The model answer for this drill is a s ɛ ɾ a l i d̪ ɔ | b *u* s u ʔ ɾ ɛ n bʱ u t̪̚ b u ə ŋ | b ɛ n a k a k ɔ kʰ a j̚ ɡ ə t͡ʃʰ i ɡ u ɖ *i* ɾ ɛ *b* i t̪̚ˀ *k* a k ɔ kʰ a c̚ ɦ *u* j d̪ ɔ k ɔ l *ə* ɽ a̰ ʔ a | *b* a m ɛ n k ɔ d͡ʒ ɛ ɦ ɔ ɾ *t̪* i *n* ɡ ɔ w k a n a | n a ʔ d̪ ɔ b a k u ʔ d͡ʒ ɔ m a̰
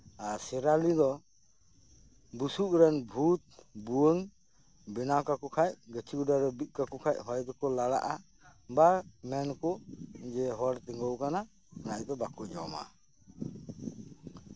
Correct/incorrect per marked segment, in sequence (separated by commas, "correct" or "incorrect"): correct, incorrect, correct, correct, incorrect, incorrect, correct, correct, incorrect